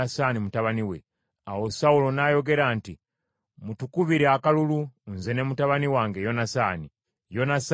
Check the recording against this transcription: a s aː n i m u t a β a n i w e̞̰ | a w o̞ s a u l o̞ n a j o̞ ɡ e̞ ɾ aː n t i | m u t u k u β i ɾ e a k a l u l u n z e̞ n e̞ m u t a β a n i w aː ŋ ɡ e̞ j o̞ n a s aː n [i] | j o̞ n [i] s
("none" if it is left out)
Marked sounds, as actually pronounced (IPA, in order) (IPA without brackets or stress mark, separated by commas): i, a